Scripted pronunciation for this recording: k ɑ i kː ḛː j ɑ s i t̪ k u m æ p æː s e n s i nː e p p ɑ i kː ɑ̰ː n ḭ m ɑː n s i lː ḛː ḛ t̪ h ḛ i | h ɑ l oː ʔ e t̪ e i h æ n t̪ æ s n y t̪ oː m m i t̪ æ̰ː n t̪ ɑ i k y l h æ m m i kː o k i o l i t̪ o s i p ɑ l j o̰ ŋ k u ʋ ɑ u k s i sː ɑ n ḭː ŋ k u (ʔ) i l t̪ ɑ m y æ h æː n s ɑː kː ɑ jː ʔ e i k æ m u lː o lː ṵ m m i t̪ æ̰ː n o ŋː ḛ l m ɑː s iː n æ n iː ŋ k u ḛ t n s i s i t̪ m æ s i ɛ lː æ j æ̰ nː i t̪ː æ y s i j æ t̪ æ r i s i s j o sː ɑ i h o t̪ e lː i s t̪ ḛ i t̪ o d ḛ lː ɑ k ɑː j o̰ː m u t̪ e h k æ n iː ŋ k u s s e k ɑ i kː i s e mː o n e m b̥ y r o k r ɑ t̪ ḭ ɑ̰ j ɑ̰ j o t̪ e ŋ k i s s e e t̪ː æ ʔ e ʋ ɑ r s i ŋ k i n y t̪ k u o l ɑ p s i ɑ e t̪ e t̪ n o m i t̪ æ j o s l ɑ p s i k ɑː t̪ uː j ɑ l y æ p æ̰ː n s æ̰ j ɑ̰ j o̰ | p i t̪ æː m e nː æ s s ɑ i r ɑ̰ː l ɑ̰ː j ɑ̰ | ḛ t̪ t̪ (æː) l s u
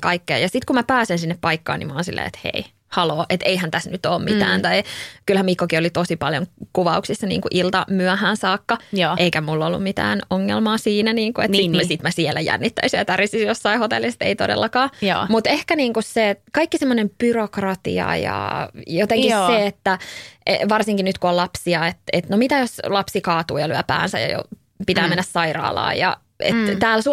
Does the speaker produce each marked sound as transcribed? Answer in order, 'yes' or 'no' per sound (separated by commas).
yes, yes